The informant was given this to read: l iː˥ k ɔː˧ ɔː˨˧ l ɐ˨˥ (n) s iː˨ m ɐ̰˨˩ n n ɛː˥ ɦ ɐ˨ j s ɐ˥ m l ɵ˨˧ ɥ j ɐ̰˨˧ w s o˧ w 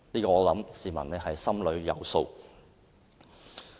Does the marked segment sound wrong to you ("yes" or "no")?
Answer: yes